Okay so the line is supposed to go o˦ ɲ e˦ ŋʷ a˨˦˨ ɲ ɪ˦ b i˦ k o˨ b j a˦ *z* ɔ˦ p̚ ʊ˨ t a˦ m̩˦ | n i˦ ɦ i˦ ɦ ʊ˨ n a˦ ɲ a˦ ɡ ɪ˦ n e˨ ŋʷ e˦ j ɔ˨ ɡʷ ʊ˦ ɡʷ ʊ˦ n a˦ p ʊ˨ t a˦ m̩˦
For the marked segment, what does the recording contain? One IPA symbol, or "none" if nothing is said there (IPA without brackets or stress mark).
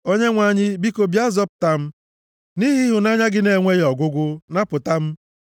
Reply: z